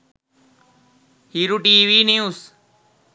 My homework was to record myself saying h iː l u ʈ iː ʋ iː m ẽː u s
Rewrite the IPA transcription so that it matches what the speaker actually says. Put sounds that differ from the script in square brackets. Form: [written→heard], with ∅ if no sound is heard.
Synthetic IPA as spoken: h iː [l→ɾ] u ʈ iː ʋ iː [m→n] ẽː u s